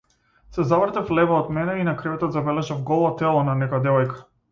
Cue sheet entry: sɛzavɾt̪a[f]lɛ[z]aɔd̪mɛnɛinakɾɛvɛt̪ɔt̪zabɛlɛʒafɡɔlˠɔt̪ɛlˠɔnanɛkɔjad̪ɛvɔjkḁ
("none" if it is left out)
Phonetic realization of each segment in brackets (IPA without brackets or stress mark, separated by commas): f, v